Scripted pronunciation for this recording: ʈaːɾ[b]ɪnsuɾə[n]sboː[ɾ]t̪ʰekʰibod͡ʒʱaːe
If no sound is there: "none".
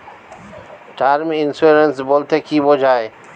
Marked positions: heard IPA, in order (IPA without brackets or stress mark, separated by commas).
m, n, l